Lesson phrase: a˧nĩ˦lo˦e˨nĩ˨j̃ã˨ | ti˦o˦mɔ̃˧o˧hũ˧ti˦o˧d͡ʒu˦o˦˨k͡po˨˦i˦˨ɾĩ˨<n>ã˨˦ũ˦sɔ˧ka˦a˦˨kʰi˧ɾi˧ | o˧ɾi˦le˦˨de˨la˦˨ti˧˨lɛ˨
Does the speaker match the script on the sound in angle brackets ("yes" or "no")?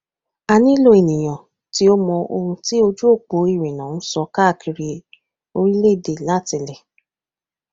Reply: yes